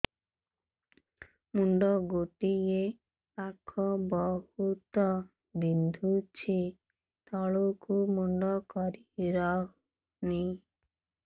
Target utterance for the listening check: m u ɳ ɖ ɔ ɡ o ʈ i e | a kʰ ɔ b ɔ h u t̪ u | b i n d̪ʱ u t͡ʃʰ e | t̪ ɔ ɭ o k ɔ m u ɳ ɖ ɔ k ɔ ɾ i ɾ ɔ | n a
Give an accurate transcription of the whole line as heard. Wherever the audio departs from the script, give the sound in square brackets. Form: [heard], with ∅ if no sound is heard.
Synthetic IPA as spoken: m u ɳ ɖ ɔ ɡ o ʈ i e | a kʰ ɔ b ɔ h u t̪ [ɔ] | b i n d̪ʱ u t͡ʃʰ [i] | t̪ ɔ ɭ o k [u] m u ɳ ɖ ɔ k ɔ ɾ i ɾ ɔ | n [i]